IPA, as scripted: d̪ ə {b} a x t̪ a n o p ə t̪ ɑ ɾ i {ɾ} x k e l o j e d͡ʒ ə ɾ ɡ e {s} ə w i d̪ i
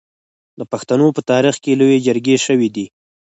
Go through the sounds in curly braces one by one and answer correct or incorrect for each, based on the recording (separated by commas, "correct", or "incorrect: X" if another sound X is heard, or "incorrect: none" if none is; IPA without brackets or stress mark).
incorrect: p, incorrect: none, incorrect: ʃ